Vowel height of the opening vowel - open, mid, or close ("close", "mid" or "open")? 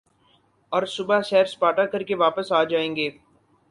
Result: mid